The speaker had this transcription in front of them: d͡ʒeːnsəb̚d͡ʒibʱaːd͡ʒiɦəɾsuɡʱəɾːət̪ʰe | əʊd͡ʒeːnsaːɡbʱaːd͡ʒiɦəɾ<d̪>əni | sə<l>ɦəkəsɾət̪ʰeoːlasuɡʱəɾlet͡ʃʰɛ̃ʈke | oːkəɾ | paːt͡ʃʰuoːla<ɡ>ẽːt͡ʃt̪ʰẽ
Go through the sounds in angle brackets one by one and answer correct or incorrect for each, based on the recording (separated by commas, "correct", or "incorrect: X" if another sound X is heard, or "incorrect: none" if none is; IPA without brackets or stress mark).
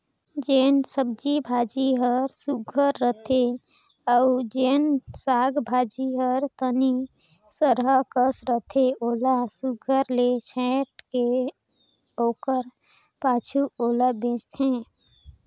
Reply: incorrect: t̪, incorrect: ɾ, incorrect: b